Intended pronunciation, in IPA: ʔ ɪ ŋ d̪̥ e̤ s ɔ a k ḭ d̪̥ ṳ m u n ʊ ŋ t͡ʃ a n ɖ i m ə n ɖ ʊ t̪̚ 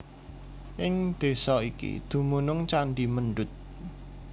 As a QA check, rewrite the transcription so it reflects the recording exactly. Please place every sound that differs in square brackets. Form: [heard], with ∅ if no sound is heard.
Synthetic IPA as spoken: ʔ ɪ ŋ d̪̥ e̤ s ɔ [i] k ḭ d̪̥ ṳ m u n ʊ ŋ t͡ʃ a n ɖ i m ə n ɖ ʊ t̪̚